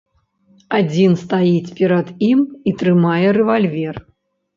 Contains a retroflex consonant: no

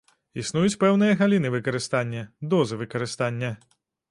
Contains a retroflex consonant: no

